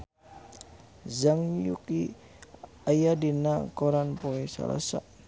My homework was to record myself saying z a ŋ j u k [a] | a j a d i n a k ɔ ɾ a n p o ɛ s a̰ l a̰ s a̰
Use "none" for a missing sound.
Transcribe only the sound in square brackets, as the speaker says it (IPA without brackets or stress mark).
i